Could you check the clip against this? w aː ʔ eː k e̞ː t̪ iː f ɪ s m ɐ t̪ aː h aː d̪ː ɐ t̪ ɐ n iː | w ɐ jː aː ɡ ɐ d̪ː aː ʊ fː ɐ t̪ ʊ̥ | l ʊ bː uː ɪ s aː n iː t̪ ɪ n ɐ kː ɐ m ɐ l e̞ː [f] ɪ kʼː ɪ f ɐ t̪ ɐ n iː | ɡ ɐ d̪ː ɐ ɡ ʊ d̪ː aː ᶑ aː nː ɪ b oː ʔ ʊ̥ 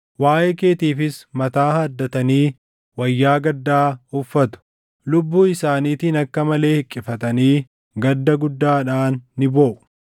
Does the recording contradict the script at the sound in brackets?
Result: yes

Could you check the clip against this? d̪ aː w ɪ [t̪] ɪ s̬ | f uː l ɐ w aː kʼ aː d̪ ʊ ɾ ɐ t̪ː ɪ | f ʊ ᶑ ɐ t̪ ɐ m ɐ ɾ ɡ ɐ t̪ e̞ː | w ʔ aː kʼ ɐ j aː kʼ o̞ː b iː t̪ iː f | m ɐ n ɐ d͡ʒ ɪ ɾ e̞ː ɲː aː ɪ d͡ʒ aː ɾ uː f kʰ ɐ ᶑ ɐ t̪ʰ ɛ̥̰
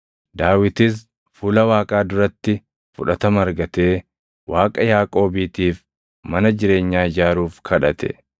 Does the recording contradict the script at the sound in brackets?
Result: no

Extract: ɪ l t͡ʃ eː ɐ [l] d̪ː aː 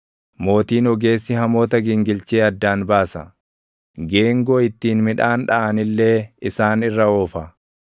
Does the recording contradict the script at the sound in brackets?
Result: yes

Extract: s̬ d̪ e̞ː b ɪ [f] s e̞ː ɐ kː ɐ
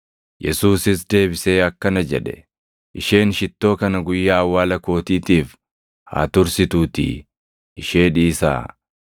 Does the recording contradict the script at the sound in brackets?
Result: yes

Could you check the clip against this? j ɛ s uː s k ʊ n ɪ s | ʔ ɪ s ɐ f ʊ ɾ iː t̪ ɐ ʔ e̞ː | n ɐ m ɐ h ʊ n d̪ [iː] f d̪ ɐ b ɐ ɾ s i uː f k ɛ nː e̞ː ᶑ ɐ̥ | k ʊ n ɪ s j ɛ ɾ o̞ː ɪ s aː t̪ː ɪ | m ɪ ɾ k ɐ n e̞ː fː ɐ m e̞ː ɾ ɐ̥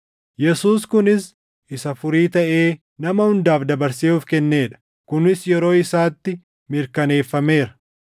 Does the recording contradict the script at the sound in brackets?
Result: yes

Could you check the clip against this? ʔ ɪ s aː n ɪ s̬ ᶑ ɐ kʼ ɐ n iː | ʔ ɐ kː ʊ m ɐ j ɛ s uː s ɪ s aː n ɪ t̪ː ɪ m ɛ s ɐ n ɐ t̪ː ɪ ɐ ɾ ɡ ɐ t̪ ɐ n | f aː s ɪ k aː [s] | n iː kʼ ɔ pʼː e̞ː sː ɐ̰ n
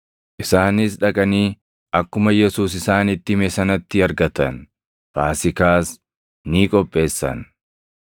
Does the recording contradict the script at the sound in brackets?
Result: no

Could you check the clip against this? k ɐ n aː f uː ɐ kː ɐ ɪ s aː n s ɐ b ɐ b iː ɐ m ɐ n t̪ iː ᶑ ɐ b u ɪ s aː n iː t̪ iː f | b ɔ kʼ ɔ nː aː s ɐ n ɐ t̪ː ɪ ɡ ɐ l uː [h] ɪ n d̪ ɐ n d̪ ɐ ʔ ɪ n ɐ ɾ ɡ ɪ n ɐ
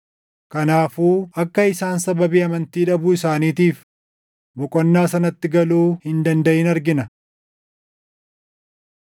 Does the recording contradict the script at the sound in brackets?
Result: no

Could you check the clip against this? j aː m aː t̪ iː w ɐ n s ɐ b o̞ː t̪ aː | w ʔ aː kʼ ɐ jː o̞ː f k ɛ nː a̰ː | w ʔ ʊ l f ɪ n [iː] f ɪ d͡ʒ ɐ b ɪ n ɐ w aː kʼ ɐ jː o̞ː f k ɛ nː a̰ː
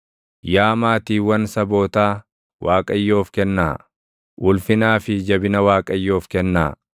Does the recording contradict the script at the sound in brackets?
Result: yes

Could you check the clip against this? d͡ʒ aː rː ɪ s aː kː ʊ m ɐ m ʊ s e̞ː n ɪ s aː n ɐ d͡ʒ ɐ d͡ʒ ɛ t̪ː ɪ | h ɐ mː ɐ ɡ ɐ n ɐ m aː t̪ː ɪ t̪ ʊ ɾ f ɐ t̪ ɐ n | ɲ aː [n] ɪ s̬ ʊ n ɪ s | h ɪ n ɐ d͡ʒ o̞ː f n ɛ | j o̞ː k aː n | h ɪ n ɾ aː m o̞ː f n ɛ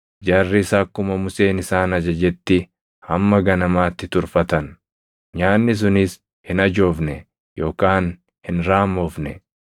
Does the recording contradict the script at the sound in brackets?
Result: yes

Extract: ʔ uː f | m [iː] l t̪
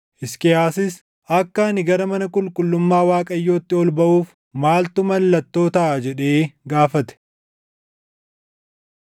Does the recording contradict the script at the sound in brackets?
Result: yes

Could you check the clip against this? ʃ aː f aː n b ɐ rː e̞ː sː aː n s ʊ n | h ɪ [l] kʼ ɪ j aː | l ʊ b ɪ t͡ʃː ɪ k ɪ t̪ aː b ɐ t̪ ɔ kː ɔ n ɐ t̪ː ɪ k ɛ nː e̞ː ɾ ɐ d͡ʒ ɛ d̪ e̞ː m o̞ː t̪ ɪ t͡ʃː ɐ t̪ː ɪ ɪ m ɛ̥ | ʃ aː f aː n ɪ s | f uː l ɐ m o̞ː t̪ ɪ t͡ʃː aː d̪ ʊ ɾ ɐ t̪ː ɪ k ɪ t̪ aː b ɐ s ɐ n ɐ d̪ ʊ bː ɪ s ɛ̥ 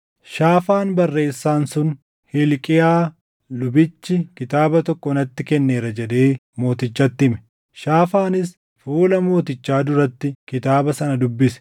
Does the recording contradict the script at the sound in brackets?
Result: no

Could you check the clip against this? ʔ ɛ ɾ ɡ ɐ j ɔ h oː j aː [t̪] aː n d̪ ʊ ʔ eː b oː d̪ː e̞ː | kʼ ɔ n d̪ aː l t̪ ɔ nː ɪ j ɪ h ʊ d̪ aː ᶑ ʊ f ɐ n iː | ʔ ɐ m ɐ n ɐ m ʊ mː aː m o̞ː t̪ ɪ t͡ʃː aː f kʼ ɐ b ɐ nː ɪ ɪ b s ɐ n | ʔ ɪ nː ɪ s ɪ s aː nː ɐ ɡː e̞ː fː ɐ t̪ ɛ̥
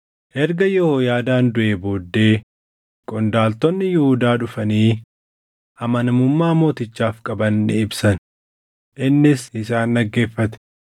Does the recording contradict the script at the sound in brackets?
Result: yes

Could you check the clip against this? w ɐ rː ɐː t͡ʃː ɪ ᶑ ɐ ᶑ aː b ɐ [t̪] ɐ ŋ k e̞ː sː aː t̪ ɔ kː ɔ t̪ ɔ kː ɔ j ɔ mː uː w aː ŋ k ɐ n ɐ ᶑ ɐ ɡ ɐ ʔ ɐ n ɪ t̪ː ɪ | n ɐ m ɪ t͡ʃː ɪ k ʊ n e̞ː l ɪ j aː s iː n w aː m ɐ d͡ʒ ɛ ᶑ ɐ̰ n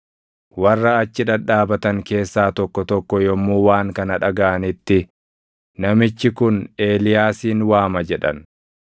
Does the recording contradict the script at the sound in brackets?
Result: no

